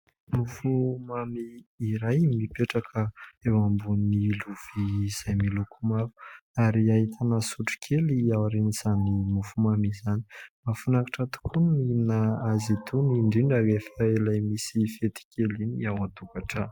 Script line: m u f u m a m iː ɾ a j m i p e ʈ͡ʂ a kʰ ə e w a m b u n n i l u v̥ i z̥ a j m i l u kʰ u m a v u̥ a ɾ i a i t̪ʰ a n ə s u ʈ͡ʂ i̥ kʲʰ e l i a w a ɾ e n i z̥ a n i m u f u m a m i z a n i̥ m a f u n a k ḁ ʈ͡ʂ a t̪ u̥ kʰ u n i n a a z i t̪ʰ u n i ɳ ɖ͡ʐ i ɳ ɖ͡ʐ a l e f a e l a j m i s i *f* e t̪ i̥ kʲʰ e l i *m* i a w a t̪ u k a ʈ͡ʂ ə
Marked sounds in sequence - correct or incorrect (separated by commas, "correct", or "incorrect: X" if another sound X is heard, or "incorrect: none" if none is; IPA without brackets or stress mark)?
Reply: correct, incorrect: n